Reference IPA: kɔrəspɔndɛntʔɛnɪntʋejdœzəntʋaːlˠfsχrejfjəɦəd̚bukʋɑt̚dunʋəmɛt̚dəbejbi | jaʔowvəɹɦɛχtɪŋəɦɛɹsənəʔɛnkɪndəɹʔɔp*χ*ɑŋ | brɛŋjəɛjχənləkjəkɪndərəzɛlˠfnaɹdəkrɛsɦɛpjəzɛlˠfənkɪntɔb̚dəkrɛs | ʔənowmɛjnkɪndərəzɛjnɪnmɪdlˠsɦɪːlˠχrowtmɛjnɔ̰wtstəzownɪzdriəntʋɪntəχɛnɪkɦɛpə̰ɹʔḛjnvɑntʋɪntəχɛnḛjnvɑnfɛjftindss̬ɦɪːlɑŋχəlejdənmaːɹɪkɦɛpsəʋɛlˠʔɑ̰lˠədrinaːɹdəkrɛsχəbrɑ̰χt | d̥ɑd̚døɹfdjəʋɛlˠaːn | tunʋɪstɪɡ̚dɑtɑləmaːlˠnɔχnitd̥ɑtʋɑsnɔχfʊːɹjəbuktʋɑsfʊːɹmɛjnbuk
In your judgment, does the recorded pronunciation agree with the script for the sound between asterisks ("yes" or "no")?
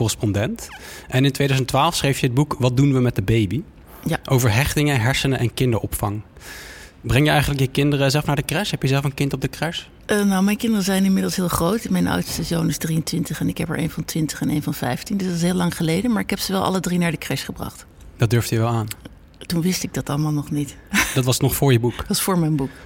no